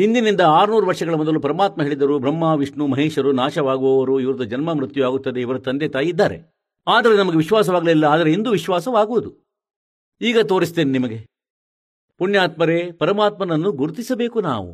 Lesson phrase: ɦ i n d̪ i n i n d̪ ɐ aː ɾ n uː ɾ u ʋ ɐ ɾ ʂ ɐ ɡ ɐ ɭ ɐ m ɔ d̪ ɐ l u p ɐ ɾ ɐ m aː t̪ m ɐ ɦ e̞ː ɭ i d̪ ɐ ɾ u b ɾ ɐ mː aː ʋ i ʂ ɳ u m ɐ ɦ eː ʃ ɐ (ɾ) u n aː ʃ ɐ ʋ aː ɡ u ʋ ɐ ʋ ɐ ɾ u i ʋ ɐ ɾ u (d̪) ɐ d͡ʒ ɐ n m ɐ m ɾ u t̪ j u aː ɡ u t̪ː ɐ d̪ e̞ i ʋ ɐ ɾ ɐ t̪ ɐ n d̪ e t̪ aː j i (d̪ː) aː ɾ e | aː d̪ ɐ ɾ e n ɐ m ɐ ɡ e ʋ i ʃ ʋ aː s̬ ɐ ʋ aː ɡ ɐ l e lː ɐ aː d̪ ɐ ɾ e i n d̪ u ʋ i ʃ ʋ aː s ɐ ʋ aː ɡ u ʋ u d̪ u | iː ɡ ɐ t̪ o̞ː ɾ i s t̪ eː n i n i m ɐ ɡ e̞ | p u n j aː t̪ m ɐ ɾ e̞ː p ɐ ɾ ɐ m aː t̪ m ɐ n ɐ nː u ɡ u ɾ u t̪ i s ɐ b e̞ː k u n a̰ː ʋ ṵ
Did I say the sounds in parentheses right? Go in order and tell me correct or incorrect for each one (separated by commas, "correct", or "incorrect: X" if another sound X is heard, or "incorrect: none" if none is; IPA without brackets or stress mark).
correct, correct, correct